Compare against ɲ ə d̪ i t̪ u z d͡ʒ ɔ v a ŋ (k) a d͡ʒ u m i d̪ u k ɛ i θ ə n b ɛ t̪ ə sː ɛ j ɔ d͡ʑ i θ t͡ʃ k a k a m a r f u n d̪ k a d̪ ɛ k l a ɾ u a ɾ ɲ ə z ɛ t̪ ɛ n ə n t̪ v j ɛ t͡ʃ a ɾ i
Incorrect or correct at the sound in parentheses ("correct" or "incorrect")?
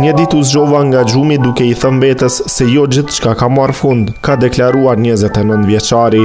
incorrect